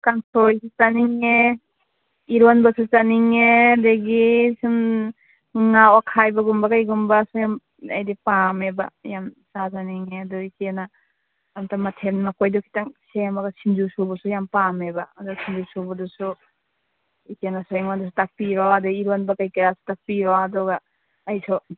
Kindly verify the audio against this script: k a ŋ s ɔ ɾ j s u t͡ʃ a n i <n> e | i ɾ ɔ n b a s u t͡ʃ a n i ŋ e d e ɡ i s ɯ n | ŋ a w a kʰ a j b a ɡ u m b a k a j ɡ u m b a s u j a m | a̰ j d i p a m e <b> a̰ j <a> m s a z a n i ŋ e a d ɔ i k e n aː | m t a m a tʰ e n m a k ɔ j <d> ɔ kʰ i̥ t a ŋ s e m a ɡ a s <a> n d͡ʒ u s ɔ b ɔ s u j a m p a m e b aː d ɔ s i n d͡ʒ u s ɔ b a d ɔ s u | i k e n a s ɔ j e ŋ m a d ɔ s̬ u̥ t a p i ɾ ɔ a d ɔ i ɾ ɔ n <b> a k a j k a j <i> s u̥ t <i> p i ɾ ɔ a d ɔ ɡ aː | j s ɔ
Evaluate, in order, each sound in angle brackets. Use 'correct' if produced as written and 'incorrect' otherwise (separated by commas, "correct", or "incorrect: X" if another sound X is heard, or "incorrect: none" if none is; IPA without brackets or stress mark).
incorrect: ŋ, correct, correct, correct, incorrect: i, correct, incorrect: a, incorrect: a